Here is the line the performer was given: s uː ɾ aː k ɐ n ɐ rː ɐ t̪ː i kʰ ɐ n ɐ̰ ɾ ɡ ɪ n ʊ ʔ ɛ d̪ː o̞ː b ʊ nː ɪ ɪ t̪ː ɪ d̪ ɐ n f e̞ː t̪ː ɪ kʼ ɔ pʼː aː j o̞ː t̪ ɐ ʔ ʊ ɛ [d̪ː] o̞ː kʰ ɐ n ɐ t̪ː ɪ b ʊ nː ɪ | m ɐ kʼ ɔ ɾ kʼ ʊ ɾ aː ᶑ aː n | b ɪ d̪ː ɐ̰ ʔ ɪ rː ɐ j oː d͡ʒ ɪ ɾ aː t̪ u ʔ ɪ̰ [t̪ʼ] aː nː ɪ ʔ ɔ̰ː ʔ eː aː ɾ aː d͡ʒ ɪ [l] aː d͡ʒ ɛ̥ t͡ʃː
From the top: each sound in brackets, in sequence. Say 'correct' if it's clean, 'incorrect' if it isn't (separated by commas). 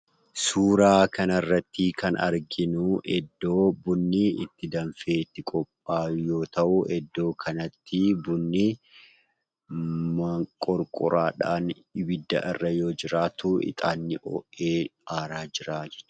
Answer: correct, correct, incorrect